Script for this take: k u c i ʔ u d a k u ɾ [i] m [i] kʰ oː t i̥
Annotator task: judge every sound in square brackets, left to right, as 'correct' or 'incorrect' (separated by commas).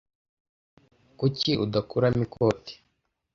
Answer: incorrect, correct